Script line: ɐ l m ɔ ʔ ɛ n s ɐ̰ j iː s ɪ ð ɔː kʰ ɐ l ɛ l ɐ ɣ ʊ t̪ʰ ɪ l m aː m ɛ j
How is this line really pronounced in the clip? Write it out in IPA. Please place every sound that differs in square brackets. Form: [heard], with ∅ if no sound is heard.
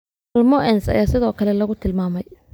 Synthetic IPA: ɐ l m ɔ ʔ ɛ n s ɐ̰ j [aː] s ɪ ð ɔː kʰ ɐ l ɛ l ɐ ɣ ʊ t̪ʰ ɪ l m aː m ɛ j